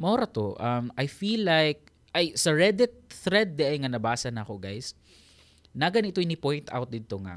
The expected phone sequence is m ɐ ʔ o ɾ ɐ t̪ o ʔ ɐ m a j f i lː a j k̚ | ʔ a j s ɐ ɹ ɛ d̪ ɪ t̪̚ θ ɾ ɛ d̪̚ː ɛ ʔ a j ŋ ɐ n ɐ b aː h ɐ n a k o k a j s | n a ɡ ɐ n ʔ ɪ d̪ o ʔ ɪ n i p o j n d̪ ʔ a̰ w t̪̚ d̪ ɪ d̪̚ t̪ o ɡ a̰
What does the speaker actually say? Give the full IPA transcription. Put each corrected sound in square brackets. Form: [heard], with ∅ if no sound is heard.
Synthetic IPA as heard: m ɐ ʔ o ɾ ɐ t̪ o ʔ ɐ m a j f i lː a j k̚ | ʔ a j s ɐ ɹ ɛ d̪ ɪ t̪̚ θ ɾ ɛ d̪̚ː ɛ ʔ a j ŋ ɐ n ɐ b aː [s] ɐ n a k o [ɡ] a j s | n a ɡ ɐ n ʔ ɪ [t̪] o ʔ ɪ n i p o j n [t̪] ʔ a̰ w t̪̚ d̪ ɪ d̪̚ t̪ o [ŋ] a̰